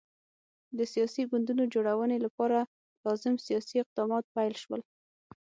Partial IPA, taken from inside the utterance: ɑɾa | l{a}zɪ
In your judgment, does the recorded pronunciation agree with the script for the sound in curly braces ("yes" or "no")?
no